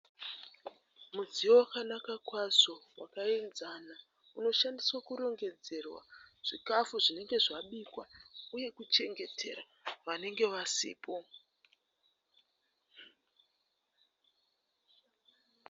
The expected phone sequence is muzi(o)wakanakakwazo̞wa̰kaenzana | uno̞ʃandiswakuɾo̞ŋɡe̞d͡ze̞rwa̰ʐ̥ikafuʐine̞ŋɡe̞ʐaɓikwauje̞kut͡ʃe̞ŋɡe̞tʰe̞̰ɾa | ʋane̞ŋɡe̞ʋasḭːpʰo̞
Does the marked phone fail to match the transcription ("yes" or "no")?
no